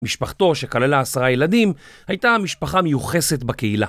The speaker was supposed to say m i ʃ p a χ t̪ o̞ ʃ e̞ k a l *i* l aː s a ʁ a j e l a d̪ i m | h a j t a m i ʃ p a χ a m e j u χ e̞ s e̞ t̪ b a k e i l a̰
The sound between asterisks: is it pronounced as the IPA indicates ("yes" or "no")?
no